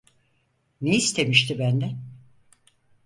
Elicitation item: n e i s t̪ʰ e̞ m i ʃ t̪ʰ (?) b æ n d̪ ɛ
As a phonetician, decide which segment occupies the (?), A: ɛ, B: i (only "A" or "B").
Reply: B